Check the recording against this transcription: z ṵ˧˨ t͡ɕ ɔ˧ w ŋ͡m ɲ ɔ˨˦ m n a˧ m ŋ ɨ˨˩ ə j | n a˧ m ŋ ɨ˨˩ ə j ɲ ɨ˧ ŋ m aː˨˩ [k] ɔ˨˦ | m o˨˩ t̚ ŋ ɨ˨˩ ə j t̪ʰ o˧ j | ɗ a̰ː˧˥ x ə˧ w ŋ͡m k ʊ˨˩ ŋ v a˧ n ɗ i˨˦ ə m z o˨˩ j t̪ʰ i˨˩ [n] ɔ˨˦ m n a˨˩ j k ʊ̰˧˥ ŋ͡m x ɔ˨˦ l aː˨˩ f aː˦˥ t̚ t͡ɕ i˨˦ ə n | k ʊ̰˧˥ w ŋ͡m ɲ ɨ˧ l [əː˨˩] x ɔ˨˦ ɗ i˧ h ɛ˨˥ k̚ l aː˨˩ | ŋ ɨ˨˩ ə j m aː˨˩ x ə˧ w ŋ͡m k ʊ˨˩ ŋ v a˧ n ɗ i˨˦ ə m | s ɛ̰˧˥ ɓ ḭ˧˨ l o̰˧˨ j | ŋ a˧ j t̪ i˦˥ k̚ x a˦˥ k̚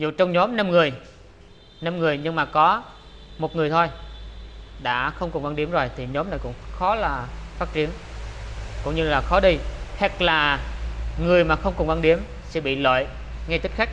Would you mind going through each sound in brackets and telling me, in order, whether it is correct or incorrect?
correct, incorrect: ɲ, incorrect: aː˨˩

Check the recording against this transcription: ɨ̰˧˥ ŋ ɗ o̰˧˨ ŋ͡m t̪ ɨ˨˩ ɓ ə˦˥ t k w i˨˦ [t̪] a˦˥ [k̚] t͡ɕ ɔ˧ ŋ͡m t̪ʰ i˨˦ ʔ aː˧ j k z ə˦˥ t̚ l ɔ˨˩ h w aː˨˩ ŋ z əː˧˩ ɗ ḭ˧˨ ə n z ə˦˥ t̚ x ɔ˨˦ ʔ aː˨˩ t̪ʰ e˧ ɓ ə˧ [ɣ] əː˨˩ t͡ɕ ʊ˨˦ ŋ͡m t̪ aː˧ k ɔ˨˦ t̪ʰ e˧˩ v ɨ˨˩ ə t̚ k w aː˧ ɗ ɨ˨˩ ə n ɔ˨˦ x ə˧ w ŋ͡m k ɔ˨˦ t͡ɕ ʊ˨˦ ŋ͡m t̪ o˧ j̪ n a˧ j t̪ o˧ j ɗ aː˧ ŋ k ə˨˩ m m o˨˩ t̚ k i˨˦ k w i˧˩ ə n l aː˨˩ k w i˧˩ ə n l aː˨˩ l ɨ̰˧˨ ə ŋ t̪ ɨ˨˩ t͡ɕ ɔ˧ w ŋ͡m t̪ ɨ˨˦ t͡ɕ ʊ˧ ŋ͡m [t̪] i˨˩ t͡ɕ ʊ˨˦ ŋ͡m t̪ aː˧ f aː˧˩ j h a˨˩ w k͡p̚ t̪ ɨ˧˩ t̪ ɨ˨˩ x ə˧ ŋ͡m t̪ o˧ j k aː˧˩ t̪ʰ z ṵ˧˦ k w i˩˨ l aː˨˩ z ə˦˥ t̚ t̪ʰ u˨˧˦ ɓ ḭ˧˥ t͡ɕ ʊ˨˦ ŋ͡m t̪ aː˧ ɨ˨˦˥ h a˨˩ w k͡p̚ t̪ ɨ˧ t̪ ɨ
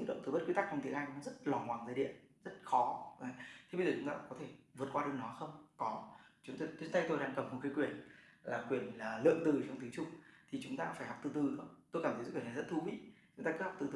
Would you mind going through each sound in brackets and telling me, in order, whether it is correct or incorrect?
correct, correct, incorrect: z, incorrect: t̪ʰ

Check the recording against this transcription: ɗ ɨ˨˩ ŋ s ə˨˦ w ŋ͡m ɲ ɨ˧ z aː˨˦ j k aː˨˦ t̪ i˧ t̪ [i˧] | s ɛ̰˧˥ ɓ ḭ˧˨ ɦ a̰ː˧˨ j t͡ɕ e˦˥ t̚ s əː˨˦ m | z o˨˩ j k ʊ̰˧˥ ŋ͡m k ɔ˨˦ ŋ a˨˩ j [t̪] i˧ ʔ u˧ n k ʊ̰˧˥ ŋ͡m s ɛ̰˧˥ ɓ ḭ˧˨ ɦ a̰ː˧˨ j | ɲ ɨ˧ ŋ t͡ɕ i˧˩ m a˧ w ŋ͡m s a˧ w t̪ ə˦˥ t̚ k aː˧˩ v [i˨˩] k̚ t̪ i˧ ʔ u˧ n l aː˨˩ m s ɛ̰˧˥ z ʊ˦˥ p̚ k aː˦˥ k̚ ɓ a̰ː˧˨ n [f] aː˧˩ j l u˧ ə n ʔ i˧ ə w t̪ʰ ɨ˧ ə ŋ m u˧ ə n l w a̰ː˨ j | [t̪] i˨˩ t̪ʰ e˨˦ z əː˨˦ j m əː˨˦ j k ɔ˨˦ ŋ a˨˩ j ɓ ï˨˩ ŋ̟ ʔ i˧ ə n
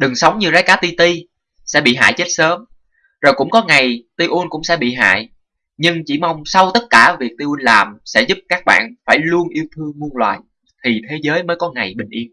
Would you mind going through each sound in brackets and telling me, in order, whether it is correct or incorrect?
correct, correct, correct, correct, incorrect: t̪ʰ

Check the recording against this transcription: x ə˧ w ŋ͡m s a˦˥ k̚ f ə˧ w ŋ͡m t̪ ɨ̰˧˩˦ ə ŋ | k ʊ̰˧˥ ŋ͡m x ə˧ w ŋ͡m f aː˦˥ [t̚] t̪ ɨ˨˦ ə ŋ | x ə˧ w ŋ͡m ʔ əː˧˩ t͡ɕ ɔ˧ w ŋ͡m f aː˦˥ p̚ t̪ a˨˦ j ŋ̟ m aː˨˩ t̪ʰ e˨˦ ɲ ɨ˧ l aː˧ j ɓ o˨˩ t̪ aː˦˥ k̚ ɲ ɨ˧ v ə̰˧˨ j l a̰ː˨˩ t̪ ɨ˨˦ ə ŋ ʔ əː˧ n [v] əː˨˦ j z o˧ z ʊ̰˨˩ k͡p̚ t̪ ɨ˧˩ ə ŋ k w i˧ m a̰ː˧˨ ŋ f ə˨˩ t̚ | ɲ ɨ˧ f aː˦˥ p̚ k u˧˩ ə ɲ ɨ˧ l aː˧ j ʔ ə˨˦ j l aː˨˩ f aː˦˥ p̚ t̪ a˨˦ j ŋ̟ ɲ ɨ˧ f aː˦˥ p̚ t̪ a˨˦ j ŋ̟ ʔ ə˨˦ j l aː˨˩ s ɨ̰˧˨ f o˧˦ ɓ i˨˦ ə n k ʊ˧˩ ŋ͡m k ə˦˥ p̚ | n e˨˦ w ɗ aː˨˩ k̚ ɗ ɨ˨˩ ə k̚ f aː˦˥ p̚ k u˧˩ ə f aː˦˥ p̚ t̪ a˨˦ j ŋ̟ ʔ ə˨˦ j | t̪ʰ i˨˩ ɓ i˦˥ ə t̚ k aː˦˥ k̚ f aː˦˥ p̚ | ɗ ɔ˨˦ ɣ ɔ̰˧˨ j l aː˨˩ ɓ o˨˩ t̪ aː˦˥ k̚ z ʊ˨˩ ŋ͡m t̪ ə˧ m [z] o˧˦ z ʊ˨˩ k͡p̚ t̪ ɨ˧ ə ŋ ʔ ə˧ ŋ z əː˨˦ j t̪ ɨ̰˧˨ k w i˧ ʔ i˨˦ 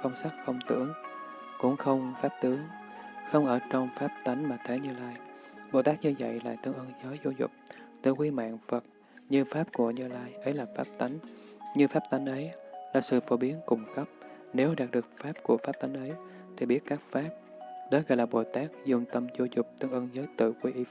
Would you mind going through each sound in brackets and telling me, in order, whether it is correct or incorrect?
incorrect: p̚, incorrect: z, correct

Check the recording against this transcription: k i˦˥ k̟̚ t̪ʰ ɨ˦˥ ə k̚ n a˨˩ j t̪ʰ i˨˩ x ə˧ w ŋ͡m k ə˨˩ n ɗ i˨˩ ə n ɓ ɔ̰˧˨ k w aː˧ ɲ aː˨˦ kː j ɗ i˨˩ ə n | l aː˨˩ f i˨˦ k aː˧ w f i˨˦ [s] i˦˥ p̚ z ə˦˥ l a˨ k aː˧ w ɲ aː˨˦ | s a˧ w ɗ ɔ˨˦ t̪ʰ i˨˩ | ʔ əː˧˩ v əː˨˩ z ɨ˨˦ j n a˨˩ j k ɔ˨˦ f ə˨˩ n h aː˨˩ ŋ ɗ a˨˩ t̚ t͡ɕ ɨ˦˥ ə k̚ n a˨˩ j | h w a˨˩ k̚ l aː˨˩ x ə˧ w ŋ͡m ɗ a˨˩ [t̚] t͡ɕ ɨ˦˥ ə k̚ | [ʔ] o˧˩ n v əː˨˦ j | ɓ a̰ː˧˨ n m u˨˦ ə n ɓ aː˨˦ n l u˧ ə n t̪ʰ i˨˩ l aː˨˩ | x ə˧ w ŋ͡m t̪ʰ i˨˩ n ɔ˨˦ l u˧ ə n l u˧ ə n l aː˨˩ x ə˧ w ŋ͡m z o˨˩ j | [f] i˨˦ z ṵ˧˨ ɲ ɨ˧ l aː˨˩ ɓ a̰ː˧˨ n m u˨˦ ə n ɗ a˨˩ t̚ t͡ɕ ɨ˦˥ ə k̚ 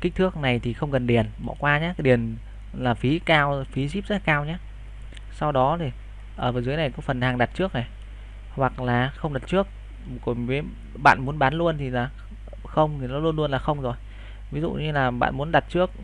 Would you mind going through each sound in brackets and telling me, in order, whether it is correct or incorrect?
incorrect: z, correct, incorrect: k, incorrect: v

